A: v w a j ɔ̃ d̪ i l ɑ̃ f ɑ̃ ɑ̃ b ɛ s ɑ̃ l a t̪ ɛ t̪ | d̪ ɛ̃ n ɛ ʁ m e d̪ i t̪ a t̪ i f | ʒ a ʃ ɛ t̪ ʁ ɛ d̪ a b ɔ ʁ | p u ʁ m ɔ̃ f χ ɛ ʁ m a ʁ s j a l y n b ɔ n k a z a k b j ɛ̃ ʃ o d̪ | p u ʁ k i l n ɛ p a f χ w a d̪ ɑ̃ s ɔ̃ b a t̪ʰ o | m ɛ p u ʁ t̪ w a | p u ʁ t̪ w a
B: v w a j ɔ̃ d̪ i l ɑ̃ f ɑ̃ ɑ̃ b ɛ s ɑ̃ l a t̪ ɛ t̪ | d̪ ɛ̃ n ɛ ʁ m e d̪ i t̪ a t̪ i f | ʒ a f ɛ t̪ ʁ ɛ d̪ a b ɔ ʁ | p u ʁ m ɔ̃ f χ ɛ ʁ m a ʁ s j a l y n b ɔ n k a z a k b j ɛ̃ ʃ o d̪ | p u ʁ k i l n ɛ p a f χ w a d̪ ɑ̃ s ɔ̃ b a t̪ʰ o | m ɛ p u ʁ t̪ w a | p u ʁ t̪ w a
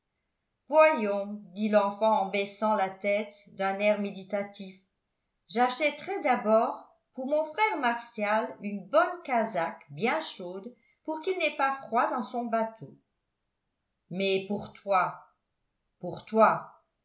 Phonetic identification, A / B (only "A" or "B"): A